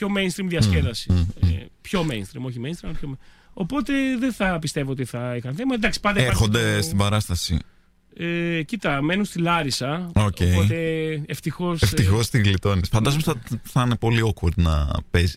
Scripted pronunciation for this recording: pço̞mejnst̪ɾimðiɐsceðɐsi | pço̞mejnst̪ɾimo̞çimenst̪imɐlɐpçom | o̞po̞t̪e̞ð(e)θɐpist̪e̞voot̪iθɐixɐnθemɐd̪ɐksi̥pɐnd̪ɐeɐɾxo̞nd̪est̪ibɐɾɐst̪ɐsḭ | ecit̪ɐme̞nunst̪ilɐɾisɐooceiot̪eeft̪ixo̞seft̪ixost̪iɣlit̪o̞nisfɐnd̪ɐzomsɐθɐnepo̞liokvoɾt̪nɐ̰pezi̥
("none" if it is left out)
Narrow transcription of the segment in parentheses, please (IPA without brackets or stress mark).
e